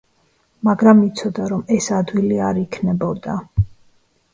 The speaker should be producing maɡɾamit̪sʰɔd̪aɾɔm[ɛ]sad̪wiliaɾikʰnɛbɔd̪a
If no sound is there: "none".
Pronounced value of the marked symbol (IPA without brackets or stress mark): ɛ